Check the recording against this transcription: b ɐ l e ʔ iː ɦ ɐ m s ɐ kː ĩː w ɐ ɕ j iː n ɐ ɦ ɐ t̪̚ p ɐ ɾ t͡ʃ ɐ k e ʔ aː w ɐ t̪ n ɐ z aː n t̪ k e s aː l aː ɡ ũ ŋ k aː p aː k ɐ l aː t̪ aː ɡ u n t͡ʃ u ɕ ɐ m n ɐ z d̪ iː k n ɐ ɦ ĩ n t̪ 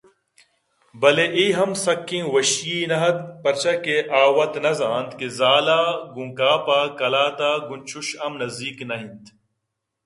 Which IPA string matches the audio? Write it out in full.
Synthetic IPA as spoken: b ɐ l e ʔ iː ɦ ɐ m s ɐ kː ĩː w ɐ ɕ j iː n ɐ ɦ ɐ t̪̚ p ɐ ɾ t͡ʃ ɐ k e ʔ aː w ɐ t̪ n ɐ z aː n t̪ k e z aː l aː ɡ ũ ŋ k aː p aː k ɐ l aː t̪ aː ɡ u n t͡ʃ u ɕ ɐ m n ɐ z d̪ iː k n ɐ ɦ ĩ n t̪